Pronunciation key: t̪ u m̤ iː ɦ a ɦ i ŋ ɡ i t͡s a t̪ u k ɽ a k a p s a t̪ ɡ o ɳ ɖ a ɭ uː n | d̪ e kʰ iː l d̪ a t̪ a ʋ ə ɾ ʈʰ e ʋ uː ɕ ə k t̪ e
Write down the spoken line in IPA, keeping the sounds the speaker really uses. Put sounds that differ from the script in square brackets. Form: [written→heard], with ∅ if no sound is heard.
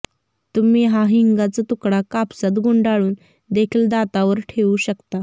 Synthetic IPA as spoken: t̪ u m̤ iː ɦ a ɦ i ŋ ɡ [i→a] t͡s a t̪ u k ɽ a k a p s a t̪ ɡ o ɳ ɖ a ɭ uː n | d̪ e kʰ iː l d̪ a t̪ a ʋ ə ɾ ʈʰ e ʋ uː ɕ ə k t̪ [e→a]